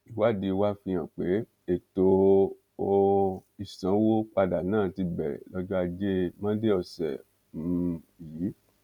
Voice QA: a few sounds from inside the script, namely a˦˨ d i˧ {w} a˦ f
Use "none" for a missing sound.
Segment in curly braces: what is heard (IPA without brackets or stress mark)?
w